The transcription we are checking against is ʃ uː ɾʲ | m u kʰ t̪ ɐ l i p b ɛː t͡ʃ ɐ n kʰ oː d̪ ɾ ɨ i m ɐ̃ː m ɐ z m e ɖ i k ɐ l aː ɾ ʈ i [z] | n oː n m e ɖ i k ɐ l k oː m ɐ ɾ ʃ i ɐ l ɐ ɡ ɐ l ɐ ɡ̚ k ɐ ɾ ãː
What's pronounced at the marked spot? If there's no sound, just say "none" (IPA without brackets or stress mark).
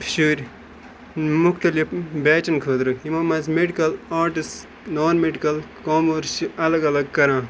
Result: s